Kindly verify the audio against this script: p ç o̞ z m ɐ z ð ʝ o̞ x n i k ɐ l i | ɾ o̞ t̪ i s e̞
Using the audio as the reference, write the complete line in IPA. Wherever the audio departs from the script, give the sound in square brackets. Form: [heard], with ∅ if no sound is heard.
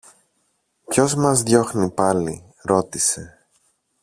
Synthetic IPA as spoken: p ç o̞ z m ɐ z ð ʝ o̞ x n i [p] ɐ l i | ɾ o̞ t̪ i s e̞